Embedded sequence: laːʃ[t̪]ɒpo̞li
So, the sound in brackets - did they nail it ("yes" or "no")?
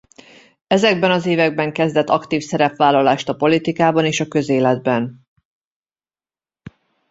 yes